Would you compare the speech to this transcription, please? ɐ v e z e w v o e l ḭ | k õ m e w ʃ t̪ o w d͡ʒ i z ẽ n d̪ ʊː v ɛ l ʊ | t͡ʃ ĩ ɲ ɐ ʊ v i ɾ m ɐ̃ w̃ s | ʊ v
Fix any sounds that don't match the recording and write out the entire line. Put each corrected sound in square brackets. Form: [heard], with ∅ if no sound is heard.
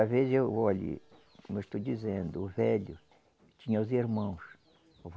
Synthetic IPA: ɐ v e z e w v o [a] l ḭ | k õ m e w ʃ t̪ o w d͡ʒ i z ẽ n d̪ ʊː v ɛ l ʊ | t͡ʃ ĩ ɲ ɐ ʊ [z] i ɾ m ɐ̃ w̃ s | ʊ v